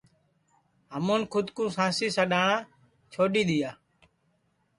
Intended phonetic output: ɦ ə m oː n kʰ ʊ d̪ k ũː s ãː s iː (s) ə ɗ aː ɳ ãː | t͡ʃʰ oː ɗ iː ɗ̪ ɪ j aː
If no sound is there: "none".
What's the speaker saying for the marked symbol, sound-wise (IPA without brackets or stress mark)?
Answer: s